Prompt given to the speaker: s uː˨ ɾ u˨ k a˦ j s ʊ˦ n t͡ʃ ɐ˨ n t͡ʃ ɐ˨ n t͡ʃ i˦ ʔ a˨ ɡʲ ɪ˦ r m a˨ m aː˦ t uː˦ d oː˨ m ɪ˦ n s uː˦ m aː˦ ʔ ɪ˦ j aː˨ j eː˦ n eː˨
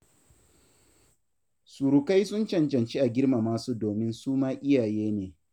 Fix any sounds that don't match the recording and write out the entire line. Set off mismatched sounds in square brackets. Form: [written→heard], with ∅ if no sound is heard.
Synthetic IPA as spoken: s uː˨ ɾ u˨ k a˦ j s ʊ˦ n t͡ʃ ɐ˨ n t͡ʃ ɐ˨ n t͡ʃ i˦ ʔ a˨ ɡʲ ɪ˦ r m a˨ m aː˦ [t→s] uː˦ d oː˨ m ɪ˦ n s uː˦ m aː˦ ʔ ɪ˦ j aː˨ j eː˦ n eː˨

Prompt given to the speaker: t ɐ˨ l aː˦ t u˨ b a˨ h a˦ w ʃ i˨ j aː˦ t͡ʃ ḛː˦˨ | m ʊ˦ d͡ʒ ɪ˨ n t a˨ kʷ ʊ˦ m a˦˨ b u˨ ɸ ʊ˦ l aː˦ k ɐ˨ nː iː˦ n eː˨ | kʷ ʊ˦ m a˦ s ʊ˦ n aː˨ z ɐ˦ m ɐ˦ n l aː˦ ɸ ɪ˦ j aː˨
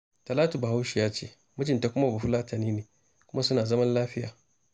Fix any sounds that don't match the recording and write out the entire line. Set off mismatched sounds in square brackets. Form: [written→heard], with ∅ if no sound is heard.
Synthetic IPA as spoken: t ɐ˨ l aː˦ t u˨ b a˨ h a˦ w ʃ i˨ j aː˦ t͡ʃ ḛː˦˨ | m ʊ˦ d͡ʒ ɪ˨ n t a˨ kʷ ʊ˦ m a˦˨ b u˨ ɸ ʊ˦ l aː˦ [k→t] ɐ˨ [nː→n] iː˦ n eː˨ | kʷ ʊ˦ m a˦ s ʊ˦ n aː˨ z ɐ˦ m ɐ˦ n l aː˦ ɸ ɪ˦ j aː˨

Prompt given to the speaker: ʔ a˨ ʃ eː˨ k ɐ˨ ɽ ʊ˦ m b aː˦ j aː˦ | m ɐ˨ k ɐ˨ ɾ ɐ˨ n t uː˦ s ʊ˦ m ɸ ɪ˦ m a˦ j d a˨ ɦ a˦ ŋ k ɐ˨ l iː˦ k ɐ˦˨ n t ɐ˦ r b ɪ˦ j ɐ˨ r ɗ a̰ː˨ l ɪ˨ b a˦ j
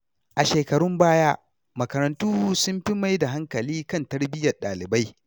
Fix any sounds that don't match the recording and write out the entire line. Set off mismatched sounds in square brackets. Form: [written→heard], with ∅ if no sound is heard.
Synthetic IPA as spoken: ʔ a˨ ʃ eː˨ k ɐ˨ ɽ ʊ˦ m b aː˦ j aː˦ | m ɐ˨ k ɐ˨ ɾ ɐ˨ n t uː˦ s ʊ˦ m ɸ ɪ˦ m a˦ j d a˨ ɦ a˦ ŋ k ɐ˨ l iː˦ k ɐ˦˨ n t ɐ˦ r b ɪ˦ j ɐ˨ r ɗ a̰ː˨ l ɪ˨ b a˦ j

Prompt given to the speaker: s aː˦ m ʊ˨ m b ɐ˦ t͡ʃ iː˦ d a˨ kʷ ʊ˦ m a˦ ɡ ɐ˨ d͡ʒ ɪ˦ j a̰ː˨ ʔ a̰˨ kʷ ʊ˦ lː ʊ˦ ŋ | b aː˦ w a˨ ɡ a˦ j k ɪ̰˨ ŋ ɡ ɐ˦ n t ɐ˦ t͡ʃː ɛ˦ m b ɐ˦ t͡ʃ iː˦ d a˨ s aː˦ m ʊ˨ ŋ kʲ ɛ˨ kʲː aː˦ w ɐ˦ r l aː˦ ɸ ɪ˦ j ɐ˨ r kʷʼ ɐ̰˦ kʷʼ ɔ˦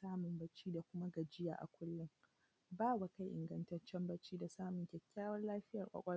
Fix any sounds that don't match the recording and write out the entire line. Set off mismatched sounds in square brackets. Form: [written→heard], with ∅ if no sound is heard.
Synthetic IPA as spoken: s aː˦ m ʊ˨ m b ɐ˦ t͡ʃ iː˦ d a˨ kʷ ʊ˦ m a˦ ɡ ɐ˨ d͡ʒ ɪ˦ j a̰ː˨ ʔ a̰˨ kʷ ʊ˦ lː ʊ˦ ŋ | b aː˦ w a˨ [ɡ→k] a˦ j [k→ʔ] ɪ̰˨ ŋ ɡ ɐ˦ n t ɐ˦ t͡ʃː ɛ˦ m b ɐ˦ t͡ʃ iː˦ d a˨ s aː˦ m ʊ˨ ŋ kʲ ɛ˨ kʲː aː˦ w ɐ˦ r l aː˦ ɸ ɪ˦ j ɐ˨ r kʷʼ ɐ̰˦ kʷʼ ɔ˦

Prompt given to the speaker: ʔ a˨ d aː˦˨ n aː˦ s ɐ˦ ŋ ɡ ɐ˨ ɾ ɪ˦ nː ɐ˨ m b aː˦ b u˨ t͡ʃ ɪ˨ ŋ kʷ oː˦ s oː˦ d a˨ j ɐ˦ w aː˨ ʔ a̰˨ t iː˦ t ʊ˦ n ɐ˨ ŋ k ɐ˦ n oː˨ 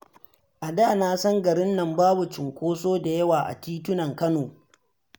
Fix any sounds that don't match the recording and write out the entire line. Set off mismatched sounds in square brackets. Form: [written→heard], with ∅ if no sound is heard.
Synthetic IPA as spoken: ʔ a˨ d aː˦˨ n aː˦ s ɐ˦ ŋ ɡ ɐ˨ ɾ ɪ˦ nː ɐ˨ m b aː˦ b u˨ t͡ʃ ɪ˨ ŋ kʷ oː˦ s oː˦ d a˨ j ɐ˦ w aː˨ ʔ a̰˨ t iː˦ t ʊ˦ n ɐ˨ ŋ k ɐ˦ n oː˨

